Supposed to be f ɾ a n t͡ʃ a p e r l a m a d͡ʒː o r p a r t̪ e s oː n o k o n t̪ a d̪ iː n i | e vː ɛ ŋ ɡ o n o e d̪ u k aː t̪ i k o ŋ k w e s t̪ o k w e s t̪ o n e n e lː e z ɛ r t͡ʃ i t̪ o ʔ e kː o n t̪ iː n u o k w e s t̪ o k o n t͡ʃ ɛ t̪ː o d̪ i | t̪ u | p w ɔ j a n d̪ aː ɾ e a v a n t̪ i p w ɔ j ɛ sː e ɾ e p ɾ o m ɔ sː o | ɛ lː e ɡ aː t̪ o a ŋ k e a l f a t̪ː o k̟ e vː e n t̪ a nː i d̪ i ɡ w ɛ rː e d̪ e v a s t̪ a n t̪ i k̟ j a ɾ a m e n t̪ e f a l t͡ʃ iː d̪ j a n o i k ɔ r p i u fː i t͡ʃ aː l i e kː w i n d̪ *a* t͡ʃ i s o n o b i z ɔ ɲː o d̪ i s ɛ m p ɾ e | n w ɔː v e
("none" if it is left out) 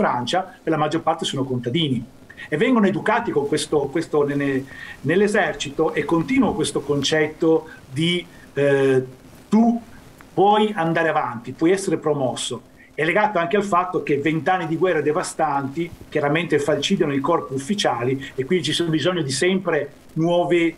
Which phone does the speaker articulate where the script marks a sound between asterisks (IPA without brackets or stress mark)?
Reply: i